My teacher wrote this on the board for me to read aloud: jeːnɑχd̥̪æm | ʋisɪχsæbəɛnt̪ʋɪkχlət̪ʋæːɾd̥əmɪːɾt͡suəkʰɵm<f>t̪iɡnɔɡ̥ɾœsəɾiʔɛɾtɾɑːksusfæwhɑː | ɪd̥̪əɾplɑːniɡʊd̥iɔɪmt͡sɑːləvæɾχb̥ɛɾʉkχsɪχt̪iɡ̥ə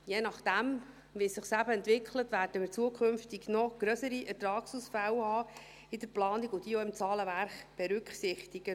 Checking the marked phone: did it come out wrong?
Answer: no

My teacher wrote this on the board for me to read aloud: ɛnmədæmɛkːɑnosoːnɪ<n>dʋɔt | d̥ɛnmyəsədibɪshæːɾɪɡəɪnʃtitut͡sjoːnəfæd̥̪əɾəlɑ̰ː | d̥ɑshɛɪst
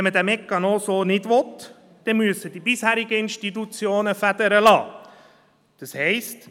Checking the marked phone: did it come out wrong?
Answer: yes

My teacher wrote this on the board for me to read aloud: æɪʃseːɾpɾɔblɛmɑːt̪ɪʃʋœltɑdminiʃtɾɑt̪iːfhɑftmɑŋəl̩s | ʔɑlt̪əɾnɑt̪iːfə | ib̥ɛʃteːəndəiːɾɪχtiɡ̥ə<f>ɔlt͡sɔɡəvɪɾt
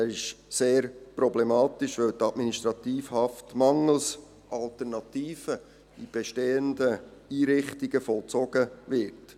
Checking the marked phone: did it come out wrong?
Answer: no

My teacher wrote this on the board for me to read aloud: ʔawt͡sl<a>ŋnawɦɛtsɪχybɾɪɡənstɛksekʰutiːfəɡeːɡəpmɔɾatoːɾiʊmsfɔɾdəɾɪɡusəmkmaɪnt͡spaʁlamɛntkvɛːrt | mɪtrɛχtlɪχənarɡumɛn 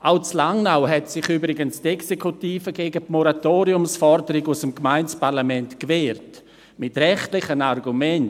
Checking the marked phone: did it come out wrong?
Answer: no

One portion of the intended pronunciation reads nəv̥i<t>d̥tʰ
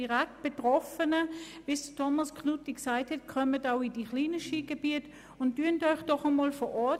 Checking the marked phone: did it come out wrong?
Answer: yes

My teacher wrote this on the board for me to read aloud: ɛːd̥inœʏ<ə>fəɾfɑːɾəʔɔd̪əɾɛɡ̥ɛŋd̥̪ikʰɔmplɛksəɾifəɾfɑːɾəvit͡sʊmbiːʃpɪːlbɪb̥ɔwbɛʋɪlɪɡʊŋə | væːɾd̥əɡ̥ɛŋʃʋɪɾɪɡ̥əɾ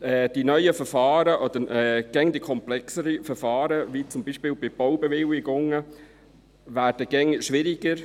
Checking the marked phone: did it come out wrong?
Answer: no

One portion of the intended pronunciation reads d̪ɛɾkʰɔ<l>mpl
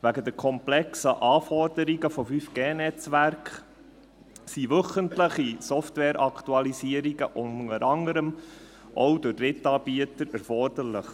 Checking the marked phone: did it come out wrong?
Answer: yes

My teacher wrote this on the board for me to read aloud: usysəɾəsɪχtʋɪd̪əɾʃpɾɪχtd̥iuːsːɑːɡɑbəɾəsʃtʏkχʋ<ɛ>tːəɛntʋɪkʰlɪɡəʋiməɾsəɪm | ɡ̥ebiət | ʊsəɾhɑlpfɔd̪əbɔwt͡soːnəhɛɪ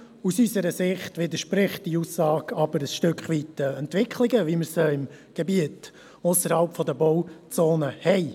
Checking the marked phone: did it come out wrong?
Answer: yes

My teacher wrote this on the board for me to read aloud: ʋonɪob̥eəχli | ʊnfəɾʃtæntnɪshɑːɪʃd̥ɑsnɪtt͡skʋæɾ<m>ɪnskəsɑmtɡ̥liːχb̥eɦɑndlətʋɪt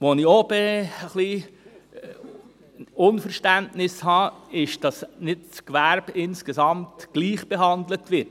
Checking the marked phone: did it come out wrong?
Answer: yes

